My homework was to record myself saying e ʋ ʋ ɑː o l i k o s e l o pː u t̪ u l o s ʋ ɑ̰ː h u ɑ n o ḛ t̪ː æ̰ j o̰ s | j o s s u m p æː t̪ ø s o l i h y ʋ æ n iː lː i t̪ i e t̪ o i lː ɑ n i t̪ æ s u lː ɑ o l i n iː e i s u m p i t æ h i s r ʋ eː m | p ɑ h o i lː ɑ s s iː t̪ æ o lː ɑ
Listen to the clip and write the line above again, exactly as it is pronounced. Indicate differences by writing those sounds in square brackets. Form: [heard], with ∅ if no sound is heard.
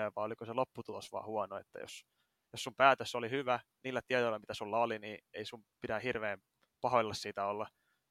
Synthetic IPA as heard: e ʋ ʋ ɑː o l i k o s e l o pː u t̪ u l o s ʋ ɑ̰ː h u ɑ n o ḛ t̪ː æ̰ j o̰ s | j o s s u m p æː t̪ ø s o l i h y ʋ æ n iː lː [æ] t̪ i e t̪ o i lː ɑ [m] i t̪ æ s u lː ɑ o l i n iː e i s u m p i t æ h i [∅] r ʋ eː m | p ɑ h o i lː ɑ s s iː t̪ æ o lː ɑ